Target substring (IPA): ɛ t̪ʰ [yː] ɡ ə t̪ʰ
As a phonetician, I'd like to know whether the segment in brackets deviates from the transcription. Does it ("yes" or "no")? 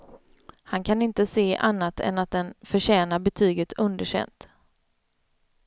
no